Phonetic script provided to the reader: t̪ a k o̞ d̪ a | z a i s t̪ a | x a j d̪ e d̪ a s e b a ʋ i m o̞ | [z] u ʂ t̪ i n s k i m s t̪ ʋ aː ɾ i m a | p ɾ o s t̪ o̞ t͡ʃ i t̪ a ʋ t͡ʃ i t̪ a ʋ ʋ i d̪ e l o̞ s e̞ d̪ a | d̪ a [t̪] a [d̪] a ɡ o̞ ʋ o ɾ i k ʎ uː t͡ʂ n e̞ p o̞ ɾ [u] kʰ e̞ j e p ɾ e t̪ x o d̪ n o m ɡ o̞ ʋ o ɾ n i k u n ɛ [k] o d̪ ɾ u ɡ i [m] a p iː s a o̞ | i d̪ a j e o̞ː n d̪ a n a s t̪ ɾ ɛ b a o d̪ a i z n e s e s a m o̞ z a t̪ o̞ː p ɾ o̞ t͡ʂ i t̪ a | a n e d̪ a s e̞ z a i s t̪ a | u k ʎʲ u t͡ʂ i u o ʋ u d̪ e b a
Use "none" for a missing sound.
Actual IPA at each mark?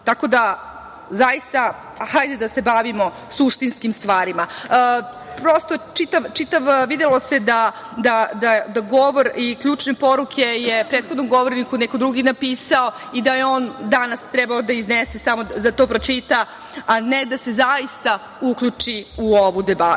s, d̪, d̪, u, k, n

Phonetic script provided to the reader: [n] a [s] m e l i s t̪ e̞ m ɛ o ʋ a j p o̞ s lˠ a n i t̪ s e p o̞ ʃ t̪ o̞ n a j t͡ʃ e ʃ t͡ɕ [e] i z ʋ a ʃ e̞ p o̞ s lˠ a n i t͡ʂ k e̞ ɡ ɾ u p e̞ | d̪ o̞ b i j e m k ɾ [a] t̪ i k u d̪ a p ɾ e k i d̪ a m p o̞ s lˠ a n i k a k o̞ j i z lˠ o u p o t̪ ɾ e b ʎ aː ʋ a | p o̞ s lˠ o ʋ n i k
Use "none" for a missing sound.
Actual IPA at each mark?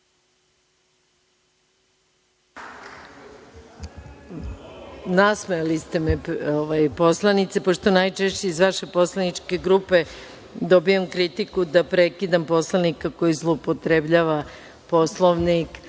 n, s, e, i

